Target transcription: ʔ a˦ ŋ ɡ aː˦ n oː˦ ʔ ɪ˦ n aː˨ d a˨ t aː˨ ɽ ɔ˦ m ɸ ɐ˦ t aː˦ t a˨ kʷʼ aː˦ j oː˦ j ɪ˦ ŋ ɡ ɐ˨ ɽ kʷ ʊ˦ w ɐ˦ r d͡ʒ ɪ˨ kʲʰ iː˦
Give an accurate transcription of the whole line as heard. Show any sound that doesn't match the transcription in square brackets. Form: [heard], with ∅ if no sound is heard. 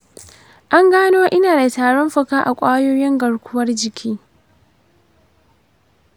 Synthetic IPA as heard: ʔ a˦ ŋ ɡ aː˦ n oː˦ ʔ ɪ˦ n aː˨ d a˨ t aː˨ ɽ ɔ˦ m ɸ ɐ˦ [k] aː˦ [ʔ] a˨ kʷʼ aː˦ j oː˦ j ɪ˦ ŋ ɡ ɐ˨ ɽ kʷ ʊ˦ w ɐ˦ r d͡ʒ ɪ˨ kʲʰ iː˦